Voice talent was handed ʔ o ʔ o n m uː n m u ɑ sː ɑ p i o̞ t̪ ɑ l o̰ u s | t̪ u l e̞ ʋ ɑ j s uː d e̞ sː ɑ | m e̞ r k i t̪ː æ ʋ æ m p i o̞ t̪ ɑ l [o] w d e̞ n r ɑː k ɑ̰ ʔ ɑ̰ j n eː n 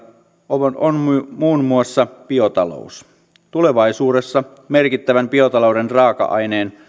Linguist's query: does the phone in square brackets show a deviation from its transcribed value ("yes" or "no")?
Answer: no